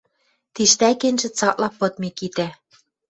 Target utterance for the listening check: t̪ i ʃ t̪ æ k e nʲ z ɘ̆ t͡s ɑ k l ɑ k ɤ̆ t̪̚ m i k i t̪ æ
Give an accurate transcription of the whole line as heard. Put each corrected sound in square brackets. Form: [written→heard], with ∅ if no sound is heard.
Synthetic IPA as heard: t̪ i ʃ t̪ æ k e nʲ [z→ʒ] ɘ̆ t͡s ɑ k l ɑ [k→p] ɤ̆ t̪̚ m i k i t̪ æ

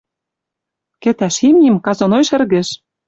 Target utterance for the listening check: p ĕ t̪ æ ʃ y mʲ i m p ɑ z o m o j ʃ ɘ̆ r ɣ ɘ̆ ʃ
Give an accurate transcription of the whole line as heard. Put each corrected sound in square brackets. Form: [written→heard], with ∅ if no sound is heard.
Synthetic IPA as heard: [p→k] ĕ t̪ æ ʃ [y→i] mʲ i m [p→k] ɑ z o [m→n] o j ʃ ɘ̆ r ɣ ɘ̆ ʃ

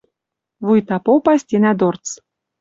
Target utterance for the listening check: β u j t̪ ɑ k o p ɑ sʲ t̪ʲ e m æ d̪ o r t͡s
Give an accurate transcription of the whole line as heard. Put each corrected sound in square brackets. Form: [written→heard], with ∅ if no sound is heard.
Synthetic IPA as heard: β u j t̪ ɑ [k→p] o p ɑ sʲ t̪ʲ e [m→n] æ d̪ o r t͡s

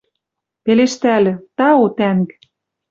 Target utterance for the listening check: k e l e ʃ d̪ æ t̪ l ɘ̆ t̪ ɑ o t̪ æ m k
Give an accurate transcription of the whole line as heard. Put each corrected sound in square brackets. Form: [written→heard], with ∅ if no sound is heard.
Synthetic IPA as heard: [k→p] e l e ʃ [d̪→t̪] æ [t̪→∅] l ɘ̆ t̪ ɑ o t̪ æ [m→ŋ] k

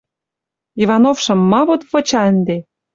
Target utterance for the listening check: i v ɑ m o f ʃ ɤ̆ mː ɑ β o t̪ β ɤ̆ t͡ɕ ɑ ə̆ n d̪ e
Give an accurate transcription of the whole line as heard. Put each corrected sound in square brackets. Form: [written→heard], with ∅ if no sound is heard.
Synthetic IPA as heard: i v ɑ [m→n] o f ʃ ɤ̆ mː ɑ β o t̪ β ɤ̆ t͡ɕ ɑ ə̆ n d̪ e

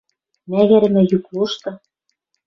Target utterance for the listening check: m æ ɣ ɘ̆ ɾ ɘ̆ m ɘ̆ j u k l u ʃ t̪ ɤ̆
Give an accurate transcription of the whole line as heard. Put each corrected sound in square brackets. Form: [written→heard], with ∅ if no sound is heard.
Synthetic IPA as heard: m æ ɣ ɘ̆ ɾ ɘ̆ m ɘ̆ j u k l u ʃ t̪ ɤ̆

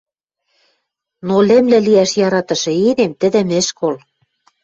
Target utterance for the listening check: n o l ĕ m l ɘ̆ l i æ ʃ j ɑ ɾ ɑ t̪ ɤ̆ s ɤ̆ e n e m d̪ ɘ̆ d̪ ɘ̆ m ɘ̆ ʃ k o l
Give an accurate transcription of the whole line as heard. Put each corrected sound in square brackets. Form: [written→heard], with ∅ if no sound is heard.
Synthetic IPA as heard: n o l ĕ m l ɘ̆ l i æ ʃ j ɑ ɾ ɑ t̪ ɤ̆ [s→ʃ] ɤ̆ e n e m [d̪→t̪] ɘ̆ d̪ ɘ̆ m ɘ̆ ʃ k o l

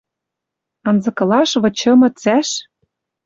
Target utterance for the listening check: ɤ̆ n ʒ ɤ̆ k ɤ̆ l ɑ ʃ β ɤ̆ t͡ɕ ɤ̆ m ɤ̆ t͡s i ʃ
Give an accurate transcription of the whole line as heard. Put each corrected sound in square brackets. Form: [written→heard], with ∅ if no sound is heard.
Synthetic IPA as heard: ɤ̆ n [ʒ→z] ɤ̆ k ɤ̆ l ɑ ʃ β ɤ̆ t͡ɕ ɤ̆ m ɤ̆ t͡s [i→æ] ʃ

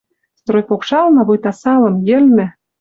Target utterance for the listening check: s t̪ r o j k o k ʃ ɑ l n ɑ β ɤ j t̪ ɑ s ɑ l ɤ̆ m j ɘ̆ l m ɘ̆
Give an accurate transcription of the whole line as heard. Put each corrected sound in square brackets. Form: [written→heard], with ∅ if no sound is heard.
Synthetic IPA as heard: s t̪ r o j [k→p] o k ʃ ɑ l n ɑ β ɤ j t̪ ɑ s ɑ l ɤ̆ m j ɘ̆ l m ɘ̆

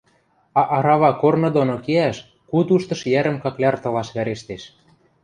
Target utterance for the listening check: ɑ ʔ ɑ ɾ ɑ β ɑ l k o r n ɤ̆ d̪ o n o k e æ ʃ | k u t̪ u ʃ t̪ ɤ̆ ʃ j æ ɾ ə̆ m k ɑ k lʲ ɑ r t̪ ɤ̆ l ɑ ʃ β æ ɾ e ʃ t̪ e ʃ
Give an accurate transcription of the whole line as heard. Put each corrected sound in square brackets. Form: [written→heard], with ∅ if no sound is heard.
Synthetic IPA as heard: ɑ ʔ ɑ ɾ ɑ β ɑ [l→∅] k o r n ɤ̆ d̪ o n o k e æ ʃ | k u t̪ u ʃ t̪ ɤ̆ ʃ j æ ɾ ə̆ m k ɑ k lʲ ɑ r t̪ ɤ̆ l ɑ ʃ β æ ɾ e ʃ t̪ e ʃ

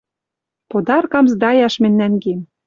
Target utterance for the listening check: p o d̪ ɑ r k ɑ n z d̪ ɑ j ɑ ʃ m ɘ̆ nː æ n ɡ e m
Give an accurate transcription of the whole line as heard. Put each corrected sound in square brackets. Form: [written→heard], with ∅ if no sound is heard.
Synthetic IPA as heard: p o d̪ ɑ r k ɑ [n→m] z d̪ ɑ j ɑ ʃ m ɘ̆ nː æ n ɡ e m

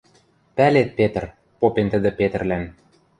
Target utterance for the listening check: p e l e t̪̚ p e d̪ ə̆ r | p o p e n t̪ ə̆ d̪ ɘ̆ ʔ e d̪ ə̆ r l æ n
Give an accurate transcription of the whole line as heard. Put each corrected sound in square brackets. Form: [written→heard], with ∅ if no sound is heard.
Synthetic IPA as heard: p [e→æ] l e t̪̚ p e [d̪→t̪] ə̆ r | p o p e n t̪ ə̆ d̪ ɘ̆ [ʔ→p] e [d̪→t̪] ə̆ r l æ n

